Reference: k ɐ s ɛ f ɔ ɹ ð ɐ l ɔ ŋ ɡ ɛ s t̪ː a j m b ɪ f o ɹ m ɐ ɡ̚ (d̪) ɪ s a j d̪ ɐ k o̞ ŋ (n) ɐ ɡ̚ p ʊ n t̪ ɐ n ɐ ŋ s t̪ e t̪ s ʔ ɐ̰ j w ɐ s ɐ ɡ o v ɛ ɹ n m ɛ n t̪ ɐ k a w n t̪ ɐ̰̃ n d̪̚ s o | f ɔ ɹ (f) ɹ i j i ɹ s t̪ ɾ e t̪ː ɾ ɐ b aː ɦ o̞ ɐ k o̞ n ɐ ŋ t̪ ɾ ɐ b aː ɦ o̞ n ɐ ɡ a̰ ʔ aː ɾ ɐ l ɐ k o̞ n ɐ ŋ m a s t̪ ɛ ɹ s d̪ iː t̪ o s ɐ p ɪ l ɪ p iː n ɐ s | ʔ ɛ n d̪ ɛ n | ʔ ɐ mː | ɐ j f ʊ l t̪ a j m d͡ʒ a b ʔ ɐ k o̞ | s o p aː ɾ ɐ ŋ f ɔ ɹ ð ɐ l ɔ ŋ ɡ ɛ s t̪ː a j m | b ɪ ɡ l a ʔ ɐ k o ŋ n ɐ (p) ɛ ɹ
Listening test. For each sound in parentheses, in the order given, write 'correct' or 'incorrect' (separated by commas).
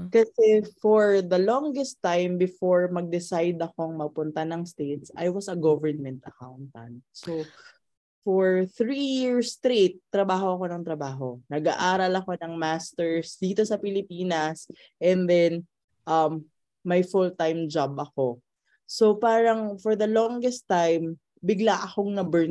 correct, incorrect, incorrect, incorrect